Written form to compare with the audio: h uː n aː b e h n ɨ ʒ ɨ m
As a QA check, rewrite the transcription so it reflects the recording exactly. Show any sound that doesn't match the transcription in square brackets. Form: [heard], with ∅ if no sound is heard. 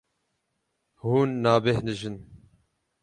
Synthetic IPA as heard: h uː [nː] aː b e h n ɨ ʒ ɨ [n]